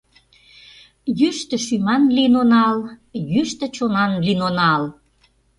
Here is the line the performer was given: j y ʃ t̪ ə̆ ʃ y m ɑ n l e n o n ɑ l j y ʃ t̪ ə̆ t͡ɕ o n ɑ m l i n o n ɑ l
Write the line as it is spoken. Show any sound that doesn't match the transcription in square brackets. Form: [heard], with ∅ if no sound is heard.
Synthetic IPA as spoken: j y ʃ t̪ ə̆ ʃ y m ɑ n l [i] n o n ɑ l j y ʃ t̪ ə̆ t͡ɕ o n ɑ [n] l i n o n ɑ l